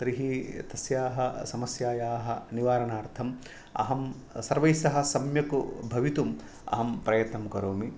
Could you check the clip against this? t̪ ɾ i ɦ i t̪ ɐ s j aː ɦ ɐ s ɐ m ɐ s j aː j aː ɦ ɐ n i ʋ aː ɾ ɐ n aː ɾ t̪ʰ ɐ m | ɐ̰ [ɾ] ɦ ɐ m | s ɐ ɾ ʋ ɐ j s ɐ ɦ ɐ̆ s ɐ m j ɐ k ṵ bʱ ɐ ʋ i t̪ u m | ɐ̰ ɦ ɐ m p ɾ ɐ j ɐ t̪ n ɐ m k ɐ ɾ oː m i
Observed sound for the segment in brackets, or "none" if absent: none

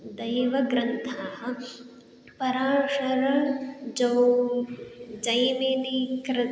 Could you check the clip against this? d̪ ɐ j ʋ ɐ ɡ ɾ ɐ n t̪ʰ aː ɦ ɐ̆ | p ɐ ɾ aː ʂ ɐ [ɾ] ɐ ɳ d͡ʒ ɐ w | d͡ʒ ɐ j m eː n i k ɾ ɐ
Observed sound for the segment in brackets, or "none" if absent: ɾ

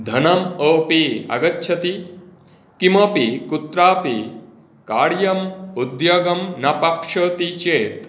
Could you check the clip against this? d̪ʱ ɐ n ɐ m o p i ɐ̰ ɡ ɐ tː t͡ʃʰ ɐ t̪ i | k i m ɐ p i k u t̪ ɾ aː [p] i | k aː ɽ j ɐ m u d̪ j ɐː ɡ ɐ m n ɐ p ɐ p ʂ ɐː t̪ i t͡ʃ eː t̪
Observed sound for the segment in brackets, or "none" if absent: p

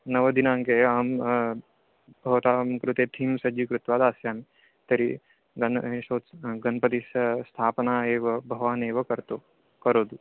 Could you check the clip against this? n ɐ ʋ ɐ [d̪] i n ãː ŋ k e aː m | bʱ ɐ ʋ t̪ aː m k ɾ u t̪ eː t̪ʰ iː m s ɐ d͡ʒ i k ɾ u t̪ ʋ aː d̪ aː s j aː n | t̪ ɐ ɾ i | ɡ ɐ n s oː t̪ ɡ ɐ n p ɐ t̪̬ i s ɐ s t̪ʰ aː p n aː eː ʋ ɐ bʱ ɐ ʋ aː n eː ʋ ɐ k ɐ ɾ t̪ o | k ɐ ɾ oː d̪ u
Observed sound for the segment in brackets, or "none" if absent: d̪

